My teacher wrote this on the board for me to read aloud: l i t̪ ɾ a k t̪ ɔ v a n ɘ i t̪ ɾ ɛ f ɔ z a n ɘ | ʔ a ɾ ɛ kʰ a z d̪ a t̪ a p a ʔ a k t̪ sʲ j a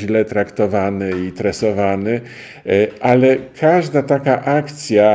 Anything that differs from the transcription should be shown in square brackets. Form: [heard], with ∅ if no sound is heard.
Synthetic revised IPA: l [ɛ] t̪ ɾ a k t̪ ɔ v a n ɘ i t̪ ɾ ɛ [s] ɔ [v] a n ɘ | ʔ a [l] ɛ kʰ a [ʐ] d̪ a t̪ a [k] a ʔ a k t̪ sʲ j a